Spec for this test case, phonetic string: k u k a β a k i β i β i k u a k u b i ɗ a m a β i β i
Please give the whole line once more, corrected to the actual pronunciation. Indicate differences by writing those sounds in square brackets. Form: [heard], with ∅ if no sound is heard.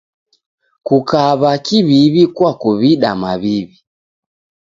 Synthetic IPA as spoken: k u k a β a k i β i β i k [w] a k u [β] i ɗ a m a β i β i